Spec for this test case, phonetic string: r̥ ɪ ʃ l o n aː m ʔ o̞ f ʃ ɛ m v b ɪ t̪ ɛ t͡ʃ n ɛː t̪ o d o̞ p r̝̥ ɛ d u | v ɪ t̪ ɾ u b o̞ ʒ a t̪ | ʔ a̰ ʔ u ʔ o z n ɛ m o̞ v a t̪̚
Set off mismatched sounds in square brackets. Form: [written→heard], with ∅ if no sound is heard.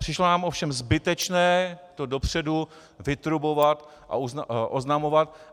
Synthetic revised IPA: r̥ ɪ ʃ l o n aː m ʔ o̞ f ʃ ɛ m [v→z] b ɪ t̪ ɛ t͡ʃ n ɛː t̪ o d o̞ p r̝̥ ɛ d u | v ɪ t̪ ɾ u b o̞ [ʒ→v] a t̪ | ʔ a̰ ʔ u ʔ o z n [ɛ→a] m o̞ v a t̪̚